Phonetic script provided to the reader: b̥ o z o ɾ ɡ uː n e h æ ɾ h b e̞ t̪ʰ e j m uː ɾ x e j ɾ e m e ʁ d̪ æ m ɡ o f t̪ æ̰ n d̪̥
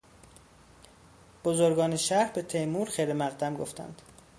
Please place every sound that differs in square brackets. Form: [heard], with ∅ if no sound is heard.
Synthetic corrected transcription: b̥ o z o ɾ ɡ [ɒː] n e [ʃ] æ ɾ h b e̞ t̪ʰ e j m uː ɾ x e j ɾ e m [æ] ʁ d̪ æ m ɡ o f t̪ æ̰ n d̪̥